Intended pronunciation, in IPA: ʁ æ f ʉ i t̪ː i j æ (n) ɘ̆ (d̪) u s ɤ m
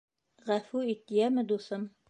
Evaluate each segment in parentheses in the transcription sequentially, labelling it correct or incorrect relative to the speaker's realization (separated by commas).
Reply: incorrect, correct